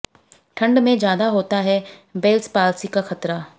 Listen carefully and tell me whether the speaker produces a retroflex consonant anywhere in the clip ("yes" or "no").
yes